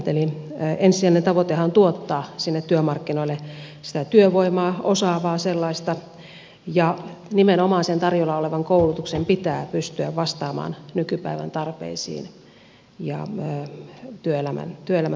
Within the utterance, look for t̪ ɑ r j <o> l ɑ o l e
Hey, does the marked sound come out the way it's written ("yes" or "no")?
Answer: yes